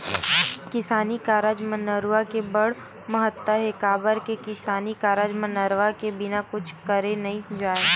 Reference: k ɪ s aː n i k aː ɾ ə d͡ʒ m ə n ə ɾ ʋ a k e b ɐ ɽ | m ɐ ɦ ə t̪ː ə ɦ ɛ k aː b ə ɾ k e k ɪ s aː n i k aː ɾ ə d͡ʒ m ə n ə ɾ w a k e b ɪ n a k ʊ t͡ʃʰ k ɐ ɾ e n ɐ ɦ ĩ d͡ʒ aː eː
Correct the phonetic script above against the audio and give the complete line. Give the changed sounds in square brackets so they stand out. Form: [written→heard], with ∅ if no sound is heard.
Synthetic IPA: k ɪ s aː n i k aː ɾ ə d͡ʒ m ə n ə ɾ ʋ a k e b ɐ ɽ | m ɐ ɦ ə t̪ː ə ɦ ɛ k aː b ə ɾ k e k ɪ s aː n i k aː ɾ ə d͡ʒ m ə n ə ɾ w a k e b ɪ n a k ʊ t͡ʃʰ k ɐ ɾ e n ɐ ɦ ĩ d͡ʒ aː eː